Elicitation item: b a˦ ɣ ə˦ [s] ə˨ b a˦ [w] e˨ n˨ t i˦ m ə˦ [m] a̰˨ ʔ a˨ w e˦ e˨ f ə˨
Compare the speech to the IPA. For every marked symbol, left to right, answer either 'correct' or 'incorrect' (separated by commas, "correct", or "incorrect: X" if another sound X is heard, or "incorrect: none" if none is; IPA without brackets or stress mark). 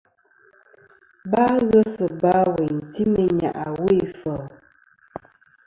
correct, correct, incorrect: ɲ